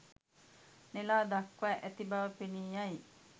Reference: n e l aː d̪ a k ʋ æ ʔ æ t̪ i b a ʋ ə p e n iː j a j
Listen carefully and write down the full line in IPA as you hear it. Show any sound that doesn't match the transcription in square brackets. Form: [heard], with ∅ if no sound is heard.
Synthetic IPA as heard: n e l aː d̪ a k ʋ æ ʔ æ t̪ i b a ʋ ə p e n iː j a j